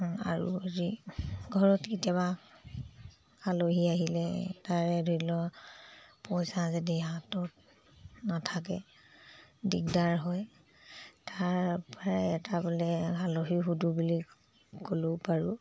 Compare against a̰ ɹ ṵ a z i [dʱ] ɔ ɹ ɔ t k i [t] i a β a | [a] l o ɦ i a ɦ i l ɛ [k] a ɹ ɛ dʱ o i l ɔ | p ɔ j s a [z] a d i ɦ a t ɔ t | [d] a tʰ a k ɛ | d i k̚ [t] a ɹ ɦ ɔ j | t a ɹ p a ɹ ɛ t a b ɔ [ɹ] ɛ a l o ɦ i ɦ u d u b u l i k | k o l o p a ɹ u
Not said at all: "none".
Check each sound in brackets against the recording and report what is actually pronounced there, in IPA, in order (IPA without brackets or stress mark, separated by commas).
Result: ɡʱ, t, a, t, z, n, d, l